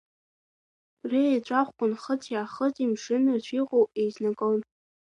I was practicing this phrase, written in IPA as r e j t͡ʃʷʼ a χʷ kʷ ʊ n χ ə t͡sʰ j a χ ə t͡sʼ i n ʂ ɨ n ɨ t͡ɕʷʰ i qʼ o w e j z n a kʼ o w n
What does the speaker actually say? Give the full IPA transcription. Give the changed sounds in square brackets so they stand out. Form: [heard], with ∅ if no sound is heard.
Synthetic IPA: r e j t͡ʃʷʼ a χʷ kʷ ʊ n χ ə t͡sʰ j a χ ə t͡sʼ i [m] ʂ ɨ n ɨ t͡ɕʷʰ i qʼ o w e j z n a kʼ o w n